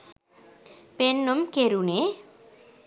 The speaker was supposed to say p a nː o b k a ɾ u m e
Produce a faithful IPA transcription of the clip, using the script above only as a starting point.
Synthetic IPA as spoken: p e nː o m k e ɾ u n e